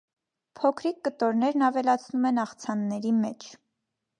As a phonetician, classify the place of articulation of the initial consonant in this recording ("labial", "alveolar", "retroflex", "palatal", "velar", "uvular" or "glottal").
labial